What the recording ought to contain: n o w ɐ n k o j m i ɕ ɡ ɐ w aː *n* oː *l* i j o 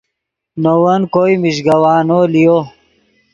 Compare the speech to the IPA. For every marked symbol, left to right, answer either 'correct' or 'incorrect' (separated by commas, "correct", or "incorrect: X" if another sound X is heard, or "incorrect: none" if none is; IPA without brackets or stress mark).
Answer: correct, correct